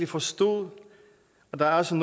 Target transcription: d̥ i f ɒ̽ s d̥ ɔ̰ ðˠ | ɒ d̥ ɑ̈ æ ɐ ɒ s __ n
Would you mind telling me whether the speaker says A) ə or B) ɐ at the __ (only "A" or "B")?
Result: A